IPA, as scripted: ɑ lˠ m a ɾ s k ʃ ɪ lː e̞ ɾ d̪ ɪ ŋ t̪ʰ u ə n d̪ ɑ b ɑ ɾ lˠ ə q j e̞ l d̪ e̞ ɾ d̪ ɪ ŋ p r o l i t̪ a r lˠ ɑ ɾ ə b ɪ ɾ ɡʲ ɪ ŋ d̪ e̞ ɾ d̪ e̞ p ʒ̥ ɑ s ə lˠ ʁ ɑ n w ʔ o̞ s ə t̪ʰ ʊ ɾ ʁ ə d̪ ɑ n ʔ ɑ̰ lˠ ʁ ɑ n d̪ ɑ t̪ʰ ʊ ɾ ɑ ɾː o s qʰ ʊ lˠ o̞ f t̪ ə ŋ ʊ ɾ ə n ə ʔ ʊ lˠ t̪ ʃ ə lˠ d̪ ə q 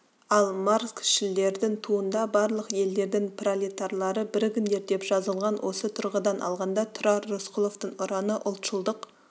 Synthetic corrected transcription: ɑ lˠ m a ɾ s k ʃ ɪ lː e̞ ɾ d̪ ɪ ŋ t̪ʰ u ə n d̪ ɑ b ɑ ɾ lˠ ə q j e̞ l d̪ e̞ ɾ d̪ ɪ ŋ p r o l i t̪ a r lˠ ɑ ɾ ə b ɪ ɾ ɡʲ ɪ n d̪ e̞ ɾ d̪ e̞ p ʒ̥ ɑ z ə lˠ ʁ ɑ n w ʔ o̞ s ə t̪ʰ ʊ ɾ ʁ ə d̪ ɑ n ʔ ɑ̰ lˠ ʁ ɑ n d̪ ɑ t̪ʰ ʊ ɾ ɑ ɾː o s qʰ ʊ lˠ o̞ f t̪ ə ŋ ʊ ɾ ɑ n ə ʔ ʊ lˠ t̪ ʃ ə lˠ d̪ ə q